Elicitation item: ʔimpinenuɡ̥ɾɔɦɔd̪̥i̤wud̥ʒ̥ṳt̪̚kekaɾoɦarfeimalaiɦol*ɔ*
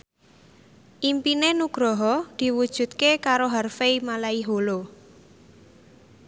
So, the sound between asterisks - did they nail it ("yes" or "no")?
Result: no